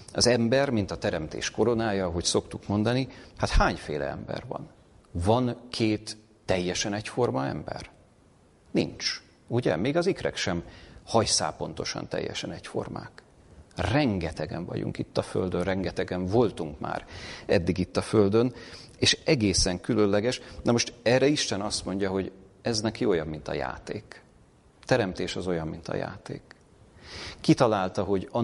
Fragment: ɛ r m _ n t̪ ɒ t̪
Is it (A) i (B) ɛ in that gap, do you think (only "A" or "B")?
A